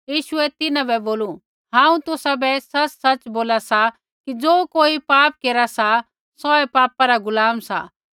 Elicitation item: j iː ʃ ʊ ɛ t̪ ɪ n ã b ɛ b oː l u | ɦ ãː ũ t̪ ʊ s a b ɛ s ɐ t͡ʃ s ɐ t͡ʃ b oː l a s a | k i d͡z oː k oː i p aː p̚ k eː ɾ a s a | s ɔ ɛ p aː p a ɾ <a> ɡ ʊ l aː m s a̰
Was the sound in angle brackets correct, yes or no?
yes